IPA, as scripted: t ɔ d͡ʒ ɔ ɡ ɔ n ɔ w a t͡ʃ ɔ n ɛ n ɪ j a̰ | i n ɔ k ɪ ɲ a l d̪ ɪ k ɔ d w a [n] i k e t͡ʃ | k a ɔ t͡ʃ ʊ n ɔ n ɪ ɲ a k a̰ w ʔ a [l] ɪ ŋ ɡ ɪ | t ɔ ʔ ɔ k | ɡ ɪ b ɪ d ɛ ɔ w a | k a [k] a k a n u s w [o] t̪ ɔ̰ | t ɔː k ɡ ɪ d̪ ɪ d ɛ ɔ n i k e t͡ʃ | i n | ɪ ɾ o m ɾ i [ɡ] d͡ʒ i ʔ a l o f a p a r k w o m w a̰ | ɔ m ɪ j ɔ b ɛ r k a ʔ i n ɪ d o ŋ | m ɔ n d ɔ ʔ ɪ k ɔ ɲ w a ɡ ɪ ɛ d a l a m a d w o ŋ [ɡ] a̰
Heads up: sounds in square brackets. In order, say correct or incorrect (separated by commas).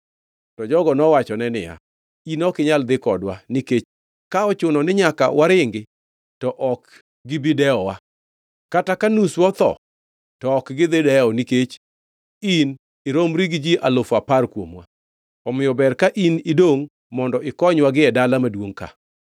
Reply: correct, incorrect, incorrect, incorrect, correct, incorrect